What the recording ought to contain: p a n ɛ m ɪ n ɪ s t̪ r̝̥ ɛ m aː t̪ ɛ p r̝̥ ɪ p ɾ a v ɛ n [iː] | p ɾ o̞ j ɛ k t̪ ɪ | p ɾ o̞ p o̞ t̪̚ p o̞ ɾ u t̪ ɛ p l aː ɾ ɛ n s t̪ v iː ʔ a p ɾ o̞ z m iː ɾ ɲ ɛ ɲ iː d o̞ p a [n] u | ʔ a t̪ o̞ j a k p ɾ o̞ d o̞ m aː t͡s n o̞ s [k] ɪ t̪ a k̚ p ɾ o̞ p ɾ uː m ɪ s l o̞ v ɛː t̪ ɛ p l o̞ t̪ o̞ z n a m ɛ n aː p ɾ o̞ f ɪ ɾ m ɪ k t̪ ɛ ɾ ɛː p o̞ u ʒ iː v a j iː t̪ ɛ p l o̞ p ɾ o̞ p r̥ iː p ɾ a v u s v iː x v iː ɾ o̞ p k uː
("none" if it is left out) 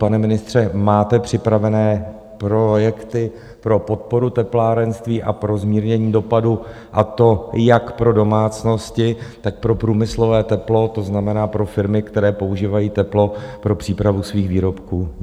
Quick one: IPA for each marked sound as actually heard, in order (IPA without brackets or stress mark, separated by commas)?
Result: ɛː, d, c